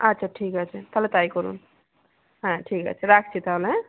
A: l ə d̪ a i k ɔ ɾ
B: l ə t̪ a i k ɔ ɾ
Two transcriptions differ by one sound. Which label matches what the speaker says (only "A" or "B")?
B